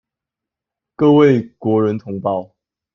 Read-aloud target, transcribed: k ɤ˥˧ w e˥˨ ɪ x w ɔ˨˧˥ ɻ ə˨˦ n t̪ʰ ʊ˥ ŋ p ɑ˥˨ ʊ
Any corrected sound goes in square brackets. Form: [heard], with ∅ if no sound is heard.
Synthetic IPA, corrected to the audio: k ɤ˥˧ w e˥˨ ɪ [k] w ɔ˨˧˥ ɻ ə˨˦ n t̪ʰ [ʊ˧˥] ŋ p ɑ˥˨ ʊ